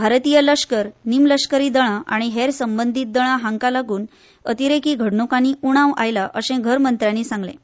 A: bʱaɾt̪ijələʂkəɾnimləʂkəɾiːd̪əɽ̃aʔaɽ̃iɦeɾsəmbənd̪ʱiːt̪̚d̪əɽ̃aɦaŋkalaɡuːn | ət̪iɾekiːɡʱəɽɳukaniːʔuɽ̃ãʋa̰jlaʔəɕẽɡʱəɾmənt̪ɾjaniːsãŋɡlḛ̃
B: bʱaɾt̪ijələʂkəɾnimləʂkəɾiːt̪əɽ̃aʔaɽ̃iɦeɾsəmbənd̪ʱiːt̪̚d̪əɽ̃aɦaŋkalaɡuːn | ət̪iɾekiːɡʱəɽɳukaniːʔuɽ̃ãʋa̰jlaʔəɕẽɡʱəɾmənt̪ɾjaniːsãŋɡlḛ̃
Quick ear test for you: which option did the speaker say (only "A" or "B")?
A